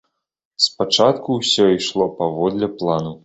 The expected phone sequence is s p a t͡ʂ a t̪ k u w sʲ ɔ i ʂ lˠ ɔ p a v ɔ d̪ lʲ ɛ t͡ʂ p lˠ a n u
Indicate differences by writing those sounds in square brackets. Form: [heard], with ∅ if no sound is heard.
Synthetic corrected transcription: s p a t͡ʂ a t̪ k u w sʲ ɔ i ʂ lˠ ɔ p a v ɔ d̪ lʲ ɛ [∅] p lˠ a n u